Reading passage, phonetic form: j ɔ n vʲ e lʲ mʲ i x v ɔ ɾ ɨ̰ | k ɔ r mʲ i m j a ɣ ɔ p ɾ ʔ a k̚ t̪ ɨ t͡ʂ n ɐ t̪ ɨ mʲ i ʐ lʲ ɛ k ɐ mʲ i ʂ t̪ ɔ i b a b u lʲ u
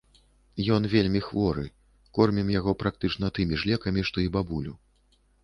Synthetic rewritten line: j ɔ n vʲ e lʲ mʲ i x v ɔ ɾ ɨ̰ | k ɔ r mʲ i m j a ɣ ɔ p ɾ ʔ a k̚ t̪ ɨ t͡ʂ n ɐ t̪ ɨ mʲ i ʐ lʲ ɛ k ɐ mʲ i ʂ t̪ ɔ i b a b u lʲ u